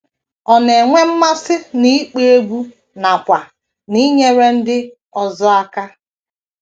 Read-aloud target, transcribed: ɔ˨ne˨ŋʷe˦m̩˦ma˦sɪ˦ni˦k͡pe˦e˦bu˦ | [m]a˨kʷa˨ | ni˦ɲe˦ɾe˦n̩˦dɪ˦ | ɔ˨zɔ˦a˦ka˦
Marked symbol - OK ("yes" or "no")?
no